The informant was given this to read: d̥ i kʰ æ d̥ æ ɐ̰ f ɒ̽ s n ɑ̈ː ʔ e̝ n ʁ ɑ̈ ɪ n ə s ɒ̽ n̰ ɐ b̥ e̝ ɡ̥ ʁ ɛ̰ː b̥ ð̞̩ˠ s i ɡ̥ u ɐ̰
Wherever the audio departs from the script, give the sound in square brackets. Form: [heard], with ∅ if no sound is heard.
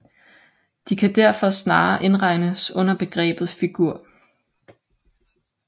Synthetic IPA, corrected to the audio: d̥ i kʰ æ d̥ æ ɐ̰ f ɒ̽ s n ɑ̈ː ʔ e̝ n ʁ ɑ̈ ɪ n ə s [ɔ̽] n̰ ɐ b̥ e̝ ɡ̥ ʁ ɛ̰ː b̥ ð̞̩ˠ [f] i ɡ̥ u ɐ̰